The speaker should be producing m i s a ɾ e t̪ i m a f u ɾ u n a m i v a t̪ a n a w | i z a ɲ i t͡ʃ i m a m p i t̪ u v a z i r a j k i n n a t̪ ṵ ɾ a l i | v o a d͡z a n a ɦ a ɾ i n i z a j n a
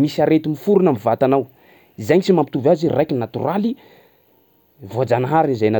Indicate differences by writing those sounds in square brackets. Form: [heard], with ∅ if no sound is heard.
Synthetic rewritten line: m i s a ɾ e t̪ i m [i] f u ɾ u n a m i v a t̪ a n a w | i z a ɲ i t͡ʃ i m a m p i t̪ u v a z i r a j k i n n a t̪ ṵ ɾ a l i | v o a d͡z a n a ɦ a ɾ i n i z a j n a